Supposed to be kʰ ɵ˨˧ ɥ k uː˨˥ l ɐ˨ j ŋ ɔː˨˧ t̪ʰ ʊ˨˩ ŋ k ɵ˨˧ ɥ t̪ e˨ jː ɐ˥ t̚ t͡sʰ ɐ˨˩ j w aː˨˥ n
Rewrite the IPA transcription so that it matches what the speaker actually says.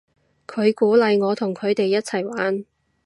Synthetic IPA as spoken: kʰ ɵ˨˧ ɥ k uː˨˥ l ɐ˨ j ŋ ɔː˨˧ t̪ʰ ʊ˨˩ ŋ kʰ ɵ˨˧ ɥ t̪ e˨ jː ɐ˥ t̚ t͡sʰ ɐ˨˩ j w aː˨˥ n